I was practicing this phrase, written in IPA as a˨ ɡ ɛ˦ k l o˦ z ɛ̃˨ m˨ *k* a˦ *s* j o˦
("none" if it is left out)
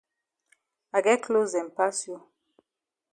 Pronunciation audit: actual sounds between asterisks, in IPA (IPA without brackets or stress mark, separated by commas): p, s